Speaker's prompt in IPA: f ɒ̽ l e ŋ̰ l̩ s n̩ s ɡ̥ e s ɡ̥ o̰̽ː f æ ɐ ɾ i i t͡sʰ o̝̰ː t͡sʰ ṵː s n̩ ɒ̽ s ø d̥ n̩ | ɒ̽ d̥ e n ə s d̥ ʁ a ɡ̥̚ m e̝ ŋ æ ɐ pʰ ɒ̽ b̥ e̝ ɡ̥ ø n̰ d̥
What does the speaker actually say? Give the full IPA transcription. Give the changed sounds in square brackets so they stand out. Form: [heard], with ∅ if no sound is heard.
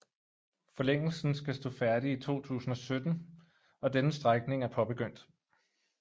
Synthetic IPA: f ɒ̽ l e ŋ̰ l̩ s n̩ s ɡ̥ [æ] s [d̥] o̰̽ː f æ ɐ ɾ i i t͡sʰ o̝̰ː t͡sʰ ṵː s n̩ ɒ̽ s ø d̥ n̩ | ɒ̽ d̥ e n ə s d̥ ʁ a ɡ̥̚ [n] e̝ ŋ æ ɐ pʰ ɒ̽ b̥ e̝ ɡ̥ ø n̰ d̥